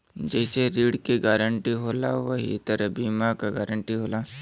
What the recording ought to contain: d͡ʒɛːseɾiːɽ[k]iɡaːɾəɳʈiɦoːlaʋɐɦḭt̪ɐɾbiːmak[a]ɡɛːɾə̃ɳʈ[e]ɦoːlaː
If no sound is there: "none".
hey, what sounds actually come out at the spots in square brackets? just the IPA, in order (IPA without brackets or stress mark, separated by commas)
k, a, i